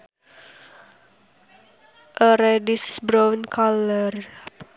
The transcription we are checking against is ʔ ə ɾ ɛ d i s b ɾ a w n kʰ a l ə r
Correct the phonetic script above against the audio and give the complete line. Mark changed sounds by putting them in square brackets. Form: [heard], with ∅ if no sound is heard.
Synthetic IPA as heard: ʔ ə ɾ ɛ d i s b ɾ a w n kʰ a l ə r